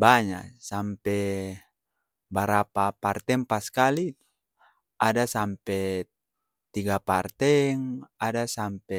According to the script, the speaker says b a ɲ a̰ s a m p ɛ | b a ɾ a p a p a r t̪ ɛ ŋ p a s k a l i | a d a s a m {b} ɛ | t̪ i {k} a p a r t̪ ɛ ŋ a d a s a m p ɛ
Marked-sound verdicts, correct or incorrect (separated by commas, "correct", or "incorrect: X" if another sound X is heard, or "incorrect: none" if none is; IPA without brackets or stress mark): incorrect: p, incorrect: ɡ